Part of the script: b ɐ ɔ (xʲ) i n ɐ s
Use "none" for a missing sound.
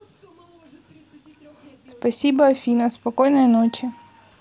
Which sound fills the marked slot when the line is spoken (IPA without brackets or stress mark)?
fʲ